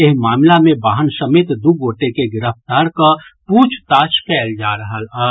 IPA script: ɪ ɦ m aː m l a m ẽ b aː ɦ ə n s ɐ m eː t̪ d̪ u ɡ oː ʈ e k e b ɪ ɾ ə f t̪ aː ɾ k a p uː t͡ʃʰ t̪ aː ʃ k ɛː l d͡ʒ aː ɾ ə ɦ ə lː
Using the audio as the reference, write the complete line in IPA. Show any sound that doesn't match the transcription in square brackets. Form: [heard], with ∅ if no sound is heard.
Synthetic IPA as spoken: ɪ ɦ m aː m l a m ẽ b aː ɦ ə n s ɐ m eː t̪ d̪ u ɡ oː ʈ e k e [ɡ] ɪ ɾ ə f t̪ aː ɾ k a p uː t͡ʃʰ t̪ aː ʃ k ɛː l d͡ʒ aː ɾ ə ɦ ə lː